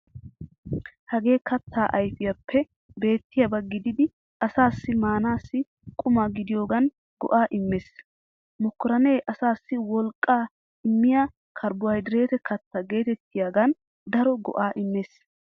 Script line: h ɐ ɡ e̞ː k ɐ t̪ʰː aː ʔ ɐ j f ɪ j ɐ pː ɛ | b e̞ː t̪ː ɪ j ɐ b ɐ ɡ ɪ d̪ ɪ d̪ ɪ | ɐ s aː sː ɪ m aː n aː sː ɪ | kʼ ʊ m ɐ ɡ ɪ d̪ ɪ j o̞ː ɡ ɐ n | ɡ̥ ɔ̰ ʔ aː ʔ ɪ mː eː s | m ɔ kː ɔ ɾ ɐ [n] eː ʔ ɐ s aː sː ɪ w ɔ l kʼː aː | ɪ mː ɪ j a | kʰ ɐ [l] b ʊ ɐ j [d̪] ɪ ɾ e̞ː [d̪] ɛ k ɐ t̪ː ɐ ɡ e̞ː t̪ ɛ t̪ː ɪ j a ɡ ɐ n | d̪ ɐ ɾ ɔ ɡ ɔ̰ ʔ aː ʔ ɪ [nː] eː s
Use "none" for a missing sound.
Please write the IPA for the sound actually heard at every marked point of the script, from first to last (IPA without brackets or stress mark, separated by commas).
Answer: n, ɾ, d̪, t̪, mː